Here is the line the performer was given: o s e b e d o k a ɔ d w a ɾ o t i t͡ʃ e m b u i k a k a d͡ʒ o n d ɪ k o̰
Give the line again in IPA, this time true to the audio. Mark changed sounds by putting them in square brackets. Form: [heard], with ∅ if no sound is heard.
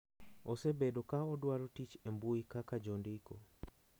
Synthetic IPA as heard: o s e b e d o k a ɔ d w a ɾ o t i t͡ʃ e m b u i k a k a d͡ʒ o n d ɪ k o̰